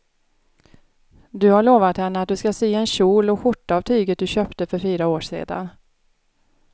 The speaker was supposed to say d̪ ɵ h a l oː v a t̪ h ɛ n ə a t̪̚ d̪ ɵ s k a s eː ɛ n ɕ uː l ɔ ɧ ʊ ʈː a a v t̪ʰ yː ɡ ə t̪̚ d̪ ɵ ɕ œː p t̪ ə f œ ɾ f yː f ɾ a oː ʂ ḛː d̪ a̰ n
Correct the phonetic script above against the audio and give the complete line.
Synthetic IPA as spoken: d̪ ɵ h a ɭ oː v a t̪ h ɛ nː ə a t̪̚ d̪ ɵ s k a s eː ɛ n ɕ uː l ɔ ɧ ʊ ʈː a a v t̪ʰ yː ɡ ə t̪̚ d̪ ɵ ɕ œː p t̪ ə f œ ɾ f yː ɾ a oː ʂ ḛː d̪ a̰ n